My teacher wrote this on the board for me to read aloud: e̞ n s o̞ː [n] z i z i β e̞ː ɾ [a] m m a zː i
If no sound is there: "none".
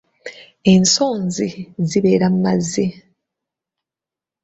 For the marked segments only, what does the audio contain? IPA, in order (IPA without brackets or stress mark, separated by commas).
n, a